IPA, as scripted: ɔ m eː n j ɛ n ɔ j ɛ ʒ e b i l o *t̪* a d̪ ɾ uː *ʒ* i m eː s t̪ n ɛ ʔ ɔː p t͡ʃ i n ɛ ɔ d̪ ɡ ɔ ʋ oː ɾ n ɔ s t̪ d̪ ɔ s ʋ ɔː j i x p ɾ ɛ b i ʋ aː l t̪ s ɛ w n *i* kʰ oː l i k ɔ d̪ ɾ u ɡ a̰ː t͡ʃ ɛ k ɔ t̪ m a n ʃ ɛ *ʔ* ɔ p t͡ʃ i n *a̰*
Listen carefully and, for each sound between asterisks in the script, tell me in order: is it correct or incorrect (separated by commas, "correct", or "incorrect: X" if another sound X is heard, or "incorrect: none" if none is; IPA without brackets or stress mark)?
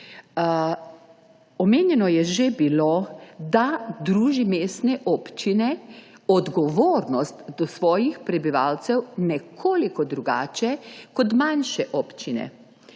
incorrect: d̪, correct, incorrect: ɛ, correct, incorrect: ɛ̰